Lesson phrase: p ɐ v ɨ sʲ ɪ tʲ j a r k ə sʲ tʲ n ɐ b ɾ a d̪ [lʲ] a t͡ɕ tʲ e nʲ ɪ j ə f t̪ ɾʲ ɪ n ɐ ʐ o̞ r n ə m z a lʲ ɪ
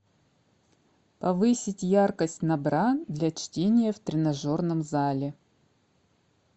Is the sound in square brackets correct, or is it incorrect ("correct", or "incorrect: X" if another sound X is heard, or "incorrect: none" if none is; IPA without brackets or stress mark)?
correct